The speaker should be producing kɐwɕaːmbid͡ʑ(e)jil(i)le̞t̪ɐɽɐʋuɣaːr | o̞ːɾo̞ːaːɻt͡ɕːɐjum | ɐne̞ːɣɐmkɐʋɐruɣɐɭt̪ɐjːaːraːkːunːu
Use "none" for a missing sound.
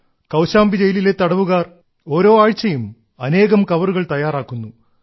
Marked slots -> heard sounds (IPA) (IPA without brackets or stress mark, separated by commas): e, i